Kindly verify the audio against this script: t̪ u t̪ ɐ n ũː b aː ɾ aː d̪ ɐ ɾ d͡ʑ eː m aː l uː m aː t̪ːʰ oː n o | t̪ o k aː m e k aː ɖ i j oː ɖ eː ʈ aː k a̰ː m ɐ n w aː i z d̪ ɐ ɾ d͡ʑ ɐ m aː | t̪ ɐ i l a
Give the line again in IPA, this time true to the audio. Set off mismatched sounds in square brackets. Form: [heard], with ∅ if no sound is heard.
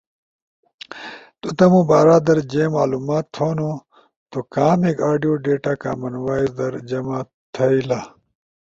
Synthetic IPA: t̪ u t̪ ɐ [m] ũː b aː ɾ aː d̪ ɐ ɾ d͡ʑ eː m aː l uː m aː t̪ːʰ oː n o | t̪ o k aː m e k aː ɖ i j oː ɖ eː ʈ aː k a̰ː m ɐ n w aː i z d̪ ɐ ɾ d͡ʑ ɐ m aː | [t̪ʰ] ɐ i l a